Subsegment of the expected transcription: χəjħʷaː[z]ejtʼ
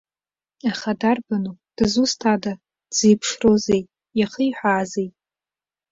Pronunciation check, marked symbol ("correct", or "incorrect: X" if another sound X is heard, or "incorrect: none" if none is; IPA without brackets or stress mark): correct